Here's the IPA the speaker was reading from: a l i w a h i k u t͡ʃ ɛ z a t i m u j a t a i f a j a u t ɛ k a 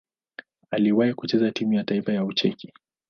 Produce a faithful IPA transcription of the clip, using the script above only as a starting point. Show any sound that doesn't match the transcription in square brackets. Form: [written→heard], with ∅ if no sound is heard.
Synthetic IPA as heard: a l i w a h i k u t͡ʃ ɛ z a t i m u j a t a i f a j a u [t→t͡ʃ] ɛ k [a→i]